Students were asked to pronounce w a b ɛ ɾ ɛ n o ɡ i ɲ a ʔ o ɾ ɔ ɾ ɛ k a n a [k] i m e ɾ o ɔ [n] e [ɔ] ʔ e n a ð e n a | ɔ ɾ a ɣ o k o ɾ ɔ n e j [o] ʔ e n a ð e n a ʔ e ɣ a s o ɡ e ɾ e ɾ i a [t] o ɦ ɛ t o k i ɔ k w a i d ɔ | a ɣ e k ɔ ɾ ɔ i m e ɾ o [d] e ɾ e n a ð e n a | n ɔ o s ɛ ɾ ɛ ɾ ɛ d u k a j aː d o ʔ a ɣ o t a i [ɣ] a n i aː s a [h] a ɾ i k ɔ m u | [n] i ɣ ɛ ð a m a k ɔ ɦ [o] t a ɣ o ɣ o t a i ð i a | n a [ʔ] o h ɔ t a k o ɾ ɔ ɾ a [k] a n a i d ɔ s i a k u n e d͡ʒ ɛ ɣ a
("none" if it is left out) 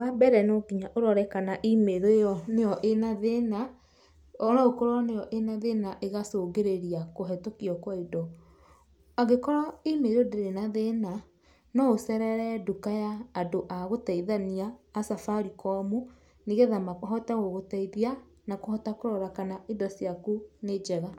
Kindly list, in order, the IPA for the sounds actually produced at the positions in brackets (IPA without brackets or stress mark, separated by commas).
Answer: ʔ, n, ɔ, ɔ, k, d, ð, f, n, ɔ, k, k